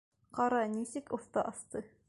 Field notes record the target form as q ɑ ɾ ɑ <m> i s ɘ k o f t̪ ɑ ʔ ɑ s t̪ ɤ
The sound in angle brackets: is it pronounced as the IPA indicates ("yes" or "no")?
no